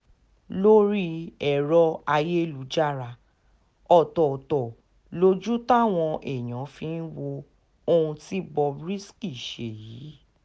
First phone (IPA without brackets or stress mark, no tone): l